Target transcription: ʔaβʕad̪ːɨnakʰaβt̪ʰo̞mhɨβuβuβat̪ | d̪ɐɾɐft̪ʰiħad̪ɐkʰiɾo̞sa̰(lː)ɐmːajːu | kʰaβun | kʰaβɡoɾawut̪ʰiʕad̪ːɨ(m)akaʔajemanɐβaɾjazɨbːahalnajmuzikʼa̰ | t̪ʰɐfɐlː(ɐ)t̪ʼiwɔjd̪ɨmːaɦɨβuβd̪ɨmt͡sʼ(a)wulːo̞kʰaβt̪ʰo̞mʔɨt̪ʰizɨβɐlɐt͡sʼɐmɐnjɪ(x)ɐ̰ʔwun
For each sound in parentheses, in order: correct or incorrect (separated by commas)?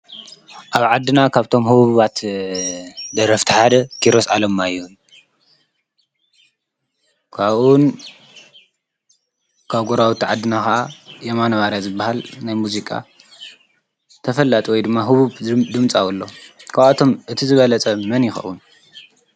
incorrect, incorrect, incorrect, correct, correct